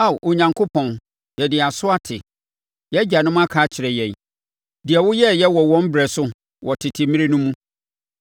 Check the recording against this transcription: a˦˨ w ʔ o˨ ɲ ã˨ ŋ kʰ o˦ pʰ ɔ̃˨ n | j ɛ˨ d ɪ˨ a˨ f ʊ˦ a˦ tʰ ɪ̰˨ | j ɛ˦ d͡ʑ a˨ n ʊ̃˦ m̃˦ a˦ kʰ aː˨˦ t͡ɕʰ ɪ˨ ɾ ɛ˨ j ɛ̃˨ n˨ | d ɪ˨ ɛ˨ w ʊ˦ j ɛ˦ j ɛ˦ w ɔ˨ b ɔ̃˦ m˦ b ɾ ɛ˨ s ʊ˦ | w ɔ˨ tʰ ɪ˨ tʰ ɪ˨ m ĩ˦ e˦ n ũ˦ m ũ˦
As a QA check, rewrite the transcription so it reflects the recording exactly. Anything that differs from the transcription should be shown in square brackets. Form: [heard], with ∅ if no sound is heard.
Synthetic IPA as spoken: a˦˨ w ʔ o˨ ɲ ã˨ ŋ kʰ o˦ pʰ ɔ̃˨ n | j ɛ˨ d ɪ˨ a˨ [s] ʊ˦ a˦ tʰ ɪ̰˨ | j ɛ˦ d͡ʑ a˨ n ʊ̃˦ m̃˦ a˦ kʰ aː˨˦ t͡ɕʰ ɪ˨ ɾ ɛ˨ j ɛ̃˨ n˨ | d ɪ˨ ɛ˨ w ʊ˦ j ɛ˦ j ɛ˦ w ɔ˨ [w] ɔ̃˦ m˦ b ɾ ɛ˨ s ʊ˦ | w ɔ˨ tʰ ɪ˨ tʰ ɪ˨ m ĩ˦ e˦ n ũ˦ m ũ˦

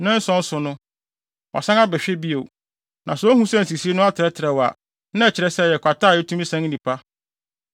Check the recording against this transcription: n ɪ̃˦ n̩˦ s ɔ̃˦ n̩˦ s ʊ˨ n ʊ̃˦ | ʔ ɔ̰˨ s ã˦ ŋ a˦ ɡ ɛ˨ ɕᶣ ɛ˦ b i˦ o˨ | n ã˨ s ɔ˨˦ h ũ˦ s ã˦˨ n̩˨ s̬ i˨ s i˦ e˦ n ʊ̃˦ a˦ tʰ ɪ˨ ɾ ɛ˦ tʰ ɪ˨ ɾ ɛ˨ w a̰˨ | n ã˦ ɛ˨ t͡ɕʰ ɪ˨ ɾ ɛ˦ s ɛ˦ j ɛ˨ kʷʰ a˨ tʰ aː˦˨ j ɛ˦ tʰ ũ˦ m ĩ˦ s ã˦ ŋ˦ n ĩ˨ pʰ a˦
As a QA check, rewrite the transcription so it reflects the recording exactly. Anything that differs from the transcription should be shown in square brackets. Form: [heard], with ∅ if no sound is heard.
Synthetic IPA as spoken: n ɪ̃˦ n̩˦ s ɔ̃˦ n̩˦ s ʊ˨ n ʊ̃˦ | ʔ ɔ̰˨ s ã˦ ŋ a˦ [b] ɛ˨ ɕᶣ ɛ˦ b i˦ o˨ | n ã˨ s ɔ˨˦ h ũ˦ s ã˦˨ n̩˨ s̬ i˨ s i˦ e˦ n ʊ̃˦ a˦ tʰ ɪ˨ ɾ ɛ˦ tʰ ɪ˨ ɾ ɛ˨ w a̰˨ | n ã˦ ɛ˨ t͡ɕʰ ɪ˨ ɾ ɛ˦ s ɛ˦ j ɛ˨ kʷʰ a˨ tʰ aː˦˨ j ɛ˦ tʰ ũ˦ m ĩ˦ s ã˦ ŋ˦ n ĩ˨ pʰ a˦

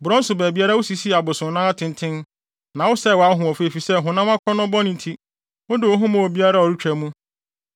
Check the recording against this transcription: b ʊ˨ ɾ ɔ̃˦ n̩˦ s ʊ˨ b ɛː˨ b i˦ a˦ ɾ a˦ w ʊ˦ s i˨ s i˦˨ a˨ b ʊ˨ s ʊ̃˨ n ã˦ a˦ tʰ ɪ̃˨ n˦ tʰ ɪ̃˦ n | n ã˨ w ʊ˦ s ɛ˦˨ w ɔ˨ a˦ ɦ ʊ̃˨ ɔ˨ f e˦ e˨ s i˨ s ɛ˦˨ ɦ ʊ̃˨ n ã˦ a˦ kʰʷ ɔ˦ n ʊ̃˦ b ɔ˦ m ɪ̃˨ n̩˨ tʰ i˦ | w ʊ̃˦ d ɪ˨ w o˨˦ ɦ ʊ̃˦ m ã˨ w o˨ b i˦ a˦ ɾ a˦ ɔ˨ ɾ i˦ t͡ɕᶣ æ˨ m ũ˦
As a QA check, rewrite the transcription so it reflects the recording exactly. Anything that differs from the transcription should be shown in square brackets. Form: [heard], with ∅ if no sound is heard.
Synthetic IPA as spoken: b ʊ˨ ɾ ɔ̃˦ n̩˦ s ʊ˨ b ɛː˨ b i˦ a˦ ɾ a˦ w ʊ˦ s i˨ s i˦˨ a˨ b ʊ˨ s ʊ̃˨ n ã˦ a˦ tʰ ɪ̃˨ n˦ tʰ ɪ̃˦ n | n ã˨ w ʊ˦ s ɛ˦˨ w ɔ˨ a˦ ɦ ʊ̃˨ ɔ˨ f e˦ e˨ [f] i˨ s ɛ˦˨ ɦ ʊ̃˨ n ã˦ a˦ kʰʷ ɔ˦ n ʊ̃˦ b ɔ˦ [n] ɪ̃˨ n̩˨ tʰ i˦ | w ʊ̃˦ d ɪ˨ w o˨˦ ɦ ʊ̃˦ m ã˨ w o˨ b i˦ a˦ ɾ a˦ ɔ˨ ɾ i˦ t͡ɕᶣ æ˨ m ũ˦

